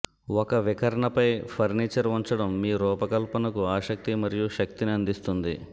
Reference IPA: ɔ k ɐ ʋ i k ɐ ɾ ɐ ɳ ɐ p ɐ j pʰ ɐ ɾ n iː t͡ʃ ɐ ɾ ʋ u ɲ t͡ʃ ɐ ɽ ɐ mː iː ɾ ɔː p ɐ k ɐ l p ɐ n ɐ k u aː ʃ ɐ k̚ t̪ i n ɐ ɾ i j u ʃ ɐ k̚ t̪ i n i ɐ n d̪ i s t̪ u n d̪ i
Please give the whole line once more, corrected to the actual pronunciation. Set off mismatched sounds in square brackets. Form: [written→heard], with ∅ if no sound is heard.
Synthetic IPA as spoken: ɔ k ɐ ʋ i k ɐ ɾ ɐ ɳ ɐ p ɐ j pʰ ɐ ɾ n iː t͡ʃ ɐ ɾ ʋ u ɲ t͡ʃ ɐ ɽ ɐ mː iː ɾ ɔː p ɐ k ɐ l p ɐ n ɐ k u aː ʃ ɐ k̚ t̪ i [n→m] ɐ ɾ i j u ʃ ɐ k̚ t̪ i n i ɐ n d̪ i s t̪ u n d̪ i